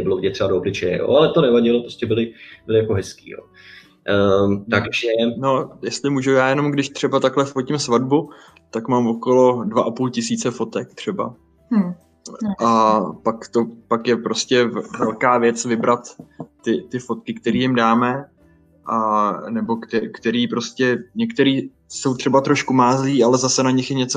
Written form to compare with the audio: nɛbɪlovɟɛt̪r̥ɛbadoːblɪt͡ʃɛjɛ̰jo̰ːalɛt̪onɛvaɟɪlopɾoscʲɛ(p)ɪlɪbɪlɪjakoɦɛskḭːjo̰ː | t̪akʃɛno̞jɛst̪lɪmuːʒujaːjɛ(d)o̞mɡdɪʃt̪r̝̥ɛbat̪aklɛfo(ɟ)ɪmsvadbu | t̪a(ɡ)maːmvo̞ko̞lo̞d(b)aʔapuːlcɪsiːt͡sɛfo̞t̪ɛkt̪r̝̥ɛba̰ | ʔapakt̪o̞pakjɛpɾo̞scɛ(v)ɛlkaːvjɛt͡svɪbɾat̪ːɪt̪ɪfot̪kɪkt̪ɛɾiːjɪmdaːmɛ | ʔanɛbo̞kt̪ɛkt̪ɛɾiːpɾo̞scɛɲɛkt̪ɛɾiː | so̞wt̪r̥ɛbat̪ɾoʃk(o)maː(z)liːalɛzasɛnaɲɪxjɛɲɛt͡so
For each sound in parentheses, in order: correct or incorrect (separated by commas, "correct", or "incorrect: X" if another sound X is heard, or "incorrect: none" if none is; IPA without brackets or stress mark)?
incorrect: b, incorrect: n, incorrect: c, incorrect: k, incorrect: v, correct, incorrect: u, correct